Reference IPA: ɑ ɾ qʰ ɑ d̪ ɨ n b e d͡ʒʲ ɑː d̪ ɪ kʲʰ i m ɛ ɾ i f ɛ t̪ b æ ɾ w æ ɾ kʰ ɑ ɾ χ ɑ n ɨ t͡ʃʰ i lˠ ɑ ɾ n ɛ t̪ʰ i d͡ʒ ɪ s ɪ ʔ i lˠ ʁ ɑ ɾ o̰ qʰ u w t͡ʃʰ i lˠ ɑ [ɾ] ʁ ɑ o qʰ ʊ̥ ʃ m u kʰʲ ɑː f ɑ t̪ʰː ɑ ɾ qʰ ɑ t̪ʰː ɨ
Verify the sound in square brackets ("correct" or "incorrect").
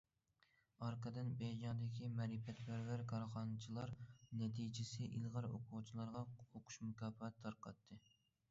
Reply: correct